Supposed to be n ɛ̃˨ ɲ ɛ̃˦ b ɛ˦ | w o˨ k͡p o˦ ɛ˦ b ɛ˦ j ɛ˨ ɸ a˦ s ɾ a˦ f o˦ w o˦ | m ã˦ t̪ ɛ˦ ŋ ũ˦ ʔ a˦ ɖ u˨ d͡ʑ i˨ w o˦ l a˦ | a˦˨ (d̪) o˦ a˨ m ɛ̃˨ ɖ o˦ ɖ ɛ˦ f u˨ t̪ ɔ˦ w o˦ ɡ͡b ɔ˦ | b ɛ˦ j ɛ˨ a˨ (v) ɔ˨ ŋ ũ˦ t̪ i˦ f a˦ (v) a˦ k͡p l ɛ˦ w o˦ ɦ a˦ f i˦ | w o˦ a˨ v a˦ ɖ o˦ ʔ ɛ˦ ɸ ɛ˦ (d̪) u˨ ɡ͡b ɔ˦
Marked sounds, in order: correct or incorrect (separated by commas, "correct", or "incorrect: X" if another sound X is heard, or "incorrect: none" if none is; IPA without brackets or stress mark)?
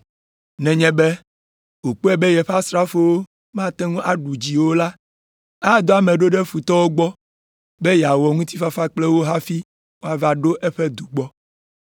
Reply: correct, incorrect: w, incorrect: f, correct